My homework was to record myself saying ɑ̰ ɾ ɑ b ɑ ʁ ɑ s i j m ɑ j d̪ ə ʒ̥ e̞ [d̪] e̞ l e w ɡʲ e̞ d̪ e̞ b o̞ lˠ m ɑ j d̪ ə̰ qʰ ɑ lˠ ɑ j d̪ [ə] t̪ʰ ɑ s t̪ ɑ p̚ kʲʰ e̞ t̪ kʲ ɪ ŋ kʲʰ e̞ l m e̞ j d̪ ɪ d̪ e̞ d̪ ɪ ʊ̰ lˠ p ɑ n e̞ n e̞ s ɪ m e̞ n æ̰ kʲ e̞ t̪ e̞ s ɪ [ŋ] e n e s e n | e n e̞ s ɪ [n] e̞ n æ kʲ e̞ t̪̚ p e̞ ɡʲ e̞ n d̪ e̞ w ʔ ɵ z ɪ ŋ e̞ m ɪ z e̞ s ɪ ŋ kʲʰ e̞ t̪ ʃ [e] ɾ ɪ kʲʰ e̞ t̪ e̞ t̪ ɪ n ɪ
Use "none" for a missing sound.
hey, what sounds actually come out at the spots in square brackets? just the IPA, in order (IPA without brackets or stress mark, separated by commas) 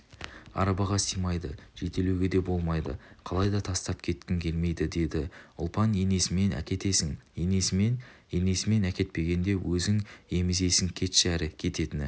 t̪, ɑ, ŋ, m, æ